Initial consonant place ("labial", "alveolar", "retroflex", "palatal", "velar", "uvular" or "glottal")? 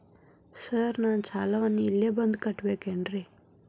alveolar